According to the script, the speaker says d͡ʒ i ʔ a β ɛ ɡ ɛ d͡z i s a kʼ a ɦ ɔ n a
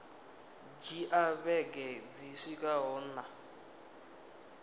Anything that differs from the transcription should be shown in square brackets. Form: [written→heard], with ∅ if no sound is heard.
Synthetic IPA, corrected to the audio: d͡ʒ i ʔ a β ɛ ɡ ɛ d͡z i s [a→i] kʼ a ɦ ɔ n a